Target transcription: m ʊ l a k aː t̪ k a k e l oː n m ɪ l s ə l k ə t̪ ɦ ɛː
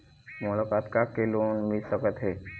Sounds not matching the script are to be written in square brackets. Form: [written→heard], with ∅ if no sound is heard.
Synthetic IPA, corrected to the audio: m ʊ l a k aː t̪ k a k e l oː n m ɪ l s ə [l→∅] k ə t̪ ɦ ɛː